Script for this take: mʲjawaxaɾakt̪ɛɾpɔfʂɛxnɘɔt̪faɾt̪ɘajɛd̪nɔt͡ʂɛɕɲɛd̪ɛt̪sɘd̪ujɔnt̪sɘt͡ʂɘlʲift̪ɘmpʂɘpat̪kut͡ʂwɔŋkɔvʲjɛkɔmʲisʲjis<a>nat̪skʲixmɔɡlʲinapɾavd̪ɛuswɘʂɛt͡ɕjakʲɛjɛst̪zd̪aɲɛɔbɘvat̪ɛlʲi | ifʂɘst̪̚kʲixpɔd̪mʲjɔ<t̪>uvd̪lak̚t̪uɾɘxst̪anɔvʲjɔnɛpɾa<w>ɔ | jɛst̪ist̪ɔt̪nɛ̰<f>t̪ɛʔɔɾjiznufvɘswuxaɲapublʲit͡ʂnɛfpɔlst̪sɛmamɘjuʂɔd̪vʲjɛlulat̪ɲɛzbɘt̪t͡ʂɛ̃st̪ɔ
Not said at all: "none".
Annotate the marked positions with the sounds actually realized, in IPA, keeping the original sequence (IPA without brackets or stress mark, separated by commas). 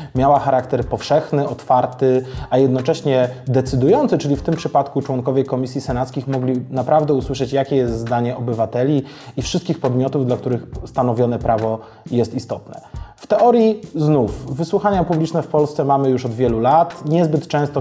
ɛ, t̪, v, f